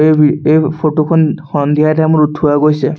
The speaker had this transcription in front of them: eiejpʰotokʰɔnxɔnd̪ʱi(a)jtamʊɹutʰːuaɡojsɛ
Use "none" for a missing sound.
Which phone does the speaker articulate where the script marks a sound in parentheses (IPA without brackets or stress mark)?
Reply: a